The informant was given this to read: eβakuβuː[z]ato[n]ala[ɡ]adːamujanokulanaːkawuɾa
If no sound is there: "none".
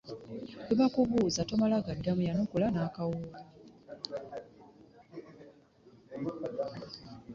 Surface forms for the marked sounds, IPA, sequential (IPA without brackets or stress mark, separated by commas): z, m, ɡ